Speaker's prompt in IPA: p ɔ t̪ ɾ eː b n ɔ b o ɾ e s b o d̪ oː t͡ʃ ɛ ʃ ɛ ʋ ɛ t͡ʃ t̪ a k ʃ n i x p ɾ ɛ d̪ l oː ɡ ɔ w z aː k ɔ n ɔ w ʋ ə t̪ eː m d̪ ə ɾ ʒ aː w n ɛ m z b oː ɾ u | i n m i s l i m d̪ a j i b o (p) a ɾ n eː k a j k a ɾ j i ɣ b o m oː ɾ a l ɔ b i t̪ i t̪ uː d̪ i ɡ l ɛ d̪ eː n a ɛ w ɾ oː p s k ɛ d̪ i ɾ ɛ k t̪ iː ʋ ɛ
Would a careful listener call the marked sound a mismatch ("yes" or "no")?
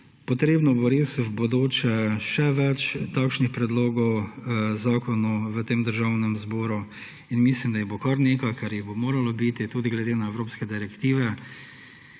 yes